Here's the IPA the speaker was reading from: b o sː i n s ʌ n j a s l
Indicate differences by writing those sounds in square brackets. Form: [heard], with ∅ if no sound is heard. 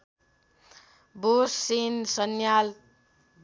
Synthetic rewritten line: b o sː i n s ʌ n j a [∅] l